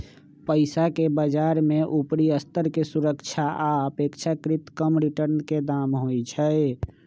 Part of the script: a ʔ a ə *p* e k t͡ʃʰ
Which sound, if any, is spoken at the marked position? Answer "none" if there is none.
p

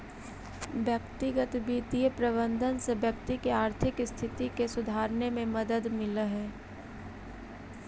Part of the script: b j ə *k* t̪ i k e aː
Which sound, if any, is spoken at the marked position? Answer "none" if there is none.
k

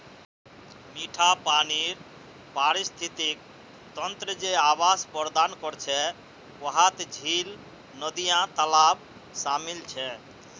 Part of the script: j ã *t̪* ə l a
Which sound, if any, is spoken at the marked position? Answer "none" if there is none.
t̪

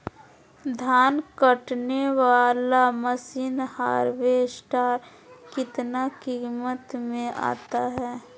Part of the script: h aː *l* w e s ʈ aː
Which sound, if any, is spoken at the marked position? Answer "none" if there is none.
ɾ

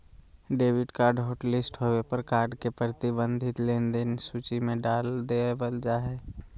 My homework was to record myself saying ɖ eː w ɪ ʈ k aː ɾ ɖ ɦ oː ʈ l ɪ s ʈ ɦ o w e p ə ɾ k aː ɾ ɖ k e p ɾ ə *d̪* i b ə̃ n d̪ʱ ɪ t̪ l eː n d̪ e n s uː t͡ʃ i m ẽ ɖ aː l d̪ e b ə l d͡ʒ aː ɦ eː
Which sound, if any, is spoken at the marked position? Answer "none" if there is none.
t̪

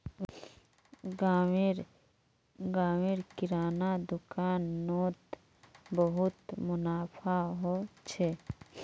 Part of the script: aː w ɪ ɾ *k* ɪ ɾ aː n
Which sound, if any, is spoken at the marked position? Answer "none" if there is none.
k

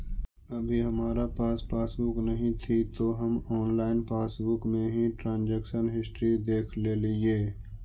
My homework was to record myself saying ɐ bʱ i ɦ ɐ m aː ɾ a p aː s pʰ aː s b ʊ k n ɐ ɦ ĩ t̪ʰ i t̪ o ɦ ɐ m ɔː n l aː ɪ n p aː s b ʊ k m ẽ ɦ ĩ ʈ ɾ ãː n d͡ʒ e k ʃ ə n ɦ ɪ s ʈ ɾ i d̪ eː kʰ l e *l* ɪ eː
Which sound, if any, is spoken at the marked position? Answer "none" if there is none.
l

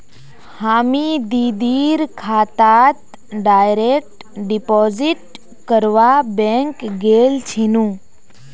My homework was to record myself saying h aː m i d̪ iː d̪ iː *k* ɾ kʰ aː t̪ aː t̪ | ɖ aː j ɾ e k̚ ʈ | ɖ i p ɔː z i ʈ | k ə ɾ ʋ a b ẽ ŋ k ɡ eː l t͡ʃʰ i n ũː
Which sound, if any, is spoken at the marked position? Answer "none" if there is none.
none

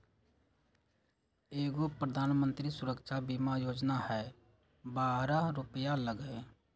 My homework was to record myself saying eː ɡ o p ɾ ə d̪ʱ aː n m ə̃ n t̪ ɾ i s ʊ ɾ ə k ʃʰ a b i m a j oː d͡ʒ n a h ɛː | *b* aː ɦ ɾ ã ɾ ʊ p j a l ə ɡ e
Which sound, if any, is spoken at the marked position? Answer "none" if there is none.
b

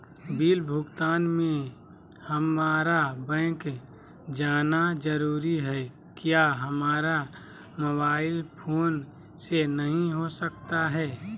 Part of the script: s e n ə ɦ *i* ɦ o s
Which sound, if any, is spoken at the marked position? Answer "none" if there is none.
ĩ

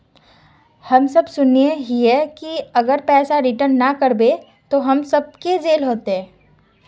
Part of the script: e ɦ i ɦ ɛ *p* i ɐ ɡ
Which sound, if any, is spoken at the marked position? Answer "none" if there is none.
k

